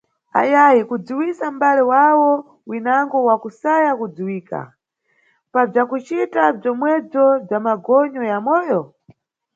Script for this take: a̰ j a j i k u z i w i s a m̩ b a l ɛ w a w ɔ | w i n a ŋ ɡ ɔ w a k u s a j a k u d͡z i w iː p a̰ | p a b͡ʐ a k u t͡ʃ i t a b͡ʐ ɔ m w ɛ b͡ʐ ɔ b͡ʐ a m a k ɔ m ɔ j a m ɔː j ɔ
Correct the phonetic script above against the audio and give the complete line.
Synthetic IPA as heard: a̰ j a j i k u d͡z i w i s a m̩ b a l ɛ w a w ɔ | w i n a ŋ ɡ ɔ w a k u s a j a k u d͡z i w iː k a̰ | p a b͡ʐ a k u t͡ʃ i t a b͡ʐ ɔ m w ɛ b͡ʐ ɔ b͡ʐ a m a ɡ ɔ ɲ ɔ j a m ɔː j ɔ